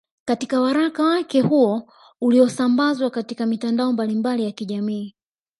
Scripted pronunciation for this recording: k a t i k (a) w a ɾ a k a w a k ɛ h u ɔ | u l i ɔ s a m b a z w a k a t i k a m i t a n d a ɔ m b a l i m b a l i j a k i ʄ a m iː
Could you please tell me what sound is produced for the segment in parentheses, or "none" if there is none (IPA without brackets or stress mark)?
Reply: a